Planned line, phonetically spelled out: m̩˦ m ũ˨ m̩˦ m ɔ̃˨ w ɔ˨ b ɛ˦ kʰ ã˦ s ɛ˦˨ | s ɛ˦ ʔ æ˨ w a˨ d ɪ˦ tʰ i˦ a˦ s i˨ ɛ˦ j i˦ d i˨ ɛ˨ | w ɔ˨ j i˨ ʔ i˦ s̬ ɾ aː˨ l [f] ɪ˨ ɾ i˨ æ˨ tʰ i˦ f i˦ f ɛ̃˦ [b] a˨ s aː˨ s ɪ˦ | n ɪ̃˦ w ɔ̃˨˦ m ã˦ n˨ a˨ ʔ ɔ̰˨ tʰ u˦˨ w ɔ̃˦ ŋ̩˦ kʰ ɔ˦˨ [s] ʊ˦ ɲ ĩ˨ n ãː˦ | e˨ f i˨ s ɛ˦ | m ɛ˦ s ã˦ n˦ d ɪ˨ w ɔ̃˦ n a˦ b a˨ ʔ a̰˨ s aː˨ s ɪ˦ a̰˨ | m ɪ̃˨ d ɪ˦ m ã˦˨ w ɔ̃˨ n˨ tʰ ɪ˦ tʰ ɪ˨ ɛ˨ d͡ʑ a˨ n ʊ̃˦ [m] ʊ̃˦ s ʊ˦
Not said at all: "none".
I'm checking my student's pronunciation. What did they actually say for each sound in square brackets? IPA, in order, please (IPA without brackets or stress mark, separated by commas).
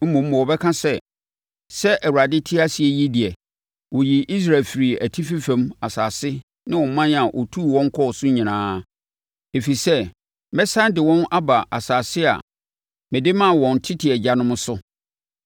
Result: f, m, s, m